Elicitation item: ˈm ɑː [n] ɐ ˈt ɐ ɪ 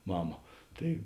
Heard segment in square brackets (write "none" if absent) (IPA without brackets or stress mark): m